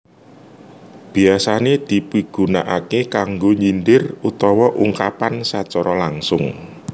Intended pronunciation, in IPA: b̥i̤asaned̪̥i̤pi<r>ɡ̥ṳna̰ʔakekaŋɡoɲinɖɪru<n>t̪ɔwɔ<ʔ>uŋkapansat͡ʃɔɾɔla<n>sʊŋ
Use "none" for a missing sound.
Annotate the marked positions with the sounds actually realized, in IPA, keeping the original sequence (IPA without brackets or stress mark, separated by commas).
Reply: none, none, ʔ, ŋ